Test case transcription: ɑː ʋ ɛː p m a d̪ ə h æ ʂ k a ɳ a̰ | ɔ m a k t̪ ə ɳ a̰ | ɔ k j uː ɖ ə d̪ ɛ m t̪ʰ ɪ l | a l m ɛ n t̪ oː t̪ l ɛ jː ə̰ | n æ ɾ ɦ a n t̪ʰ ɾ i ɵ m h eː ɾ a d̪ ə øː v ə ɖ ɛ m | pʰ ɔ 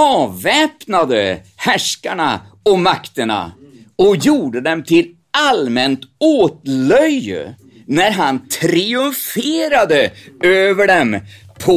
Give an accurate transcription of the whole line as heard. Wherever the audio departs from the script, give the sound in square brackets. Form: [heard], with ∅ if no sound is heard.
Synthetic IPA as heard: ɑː [v] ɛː p [n] a d̪ ə h æ ʂ k a ɳ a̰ | ɔ m a k t̪ ə ɳ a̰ | ɔ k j uː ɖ ə d̪ ɛ m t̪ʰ ɪ l | a l m ɛ n t̪ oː t̪ l [œ] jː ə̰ | n æ ɾ ɦ a n t̪ʰ ɾ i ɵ m [f] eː ɾ a d̪ ə øː v ə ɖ ɛ m | pʰ ɔ